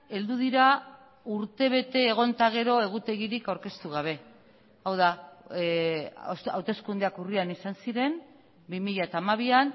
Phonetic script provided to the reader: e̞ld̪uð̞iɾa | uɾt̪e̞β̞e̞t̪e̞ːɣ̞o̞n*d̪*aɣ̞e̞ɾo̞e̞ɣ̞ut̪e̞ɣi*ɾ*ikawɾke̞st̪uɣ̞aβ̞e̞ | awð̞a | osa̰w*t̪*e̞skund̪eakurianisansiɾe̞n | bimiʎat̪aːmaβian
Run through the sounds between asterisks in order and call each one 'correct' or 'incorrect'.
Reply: incorrect: t̪, correct, correct

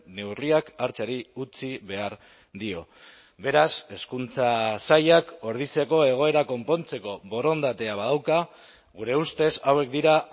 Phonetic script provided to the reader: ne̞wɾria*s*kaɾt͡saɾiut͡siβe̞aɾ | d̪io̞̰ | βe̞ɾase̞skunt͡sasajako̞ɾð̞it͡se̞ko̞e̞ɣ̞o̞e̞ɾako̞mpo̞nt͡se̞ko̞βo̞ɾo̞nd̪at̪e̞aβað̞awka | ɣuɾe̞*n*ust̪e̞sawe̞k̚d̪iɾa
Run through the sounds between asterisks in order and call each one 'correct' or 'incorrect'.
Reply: incorrect: none, incorrect: none

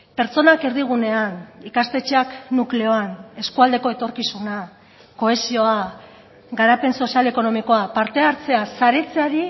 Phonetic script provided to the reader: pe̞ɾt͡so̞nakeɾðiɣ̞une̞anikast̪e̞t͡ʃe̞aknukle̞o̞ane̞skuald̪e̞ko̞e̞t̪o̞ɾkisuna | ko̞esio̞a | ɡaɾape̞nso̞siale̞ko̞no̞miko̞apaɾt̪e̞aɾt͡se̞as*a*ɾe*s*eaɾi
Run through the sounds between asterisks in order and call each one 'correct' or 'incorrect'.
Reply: correct, incorrect: t͡s

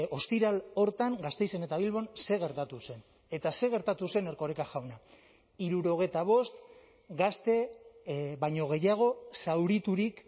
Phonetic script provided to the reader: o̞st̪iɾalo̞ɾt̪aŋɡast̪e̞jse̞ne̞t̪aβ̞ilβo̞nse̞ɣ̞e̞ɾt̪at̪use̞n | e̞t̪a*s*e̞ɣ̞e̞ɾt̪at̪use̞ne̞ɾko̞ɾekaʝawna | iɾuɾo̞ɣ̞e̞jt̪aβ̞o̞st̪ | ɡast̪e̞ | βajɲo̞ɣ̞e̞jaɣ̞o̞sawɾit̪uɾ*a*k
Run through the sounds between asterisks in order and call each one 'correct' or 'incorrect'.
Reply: correct, incorrect: i

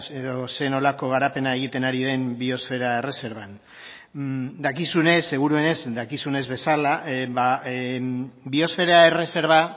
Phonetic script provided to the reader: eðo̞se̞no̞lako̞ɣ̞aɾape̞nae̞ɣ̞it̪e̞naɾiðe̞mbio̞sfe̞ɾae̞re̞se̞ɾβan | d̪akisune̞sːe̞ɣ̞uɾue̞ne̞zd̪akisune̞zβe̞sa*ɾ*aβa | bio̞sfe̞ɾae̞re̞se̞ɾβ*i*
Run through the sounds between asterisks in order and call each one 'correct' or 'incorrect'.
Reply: incorrect: l, incorrect: a

